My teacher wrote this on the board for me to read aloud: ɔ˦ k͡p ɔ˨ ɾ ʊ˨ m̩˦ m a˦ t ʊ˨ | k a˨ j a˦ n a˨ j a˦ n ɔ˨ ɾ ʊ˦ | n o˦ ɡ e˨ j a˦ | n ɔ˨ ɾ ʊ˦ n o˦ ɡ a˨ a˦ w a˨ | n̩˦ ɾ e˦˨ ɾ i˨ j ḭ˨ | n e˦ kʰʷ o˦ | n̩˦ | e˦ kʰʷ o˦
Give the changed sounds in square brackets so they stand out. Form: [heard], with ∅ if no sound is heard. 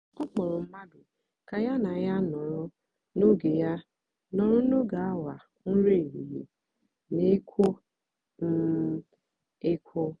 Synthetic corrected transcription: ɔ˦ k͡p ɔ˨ ɾ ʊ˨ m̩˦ m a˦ [d] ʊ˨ | k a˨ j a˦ n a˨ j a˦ n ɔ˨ ɾ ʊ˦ | n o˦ ɡ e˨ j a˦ | n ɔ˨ ɾ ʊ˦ n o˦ ɡ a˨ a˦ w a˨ | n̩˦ ɾ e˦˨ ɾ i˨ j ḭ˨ | n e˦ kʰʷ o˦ | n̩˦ | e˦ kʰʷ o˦